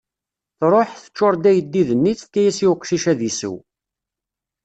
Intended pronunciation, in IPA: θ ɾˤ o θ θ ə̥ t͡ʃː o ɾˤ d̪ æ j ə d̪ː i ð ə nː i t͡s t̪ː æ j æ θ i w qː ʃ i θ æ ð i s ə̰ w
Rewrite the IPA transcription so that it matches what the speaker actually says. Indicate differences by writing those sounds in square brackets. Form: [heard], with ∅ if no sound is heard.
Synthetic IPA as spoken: θ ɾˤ o [ħ] θ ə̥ t͡ʃː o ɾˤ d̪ æ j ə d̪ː i ð ə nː i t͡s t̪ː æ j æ [s] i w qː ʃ i [ʃ] æ ð i s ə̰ w